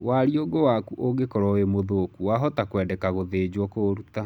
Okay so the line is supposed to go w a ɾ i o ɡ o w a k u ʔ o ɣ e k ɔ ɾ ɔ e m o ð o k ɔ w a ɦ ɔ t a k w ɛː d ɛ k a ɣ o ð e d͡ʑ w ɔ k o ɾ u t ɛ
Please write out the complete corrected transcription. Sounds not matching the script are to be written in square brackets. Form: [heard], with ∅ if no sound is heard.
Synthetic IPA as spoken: w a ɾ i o ɡ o w a k u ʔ o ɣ e k ɔ ɾ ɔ e m o ð o k [u] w a ɦ ɔ t a k w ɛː d ɛ k a ɣ o ð e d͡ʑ w ɔ k o ɾ u t [a]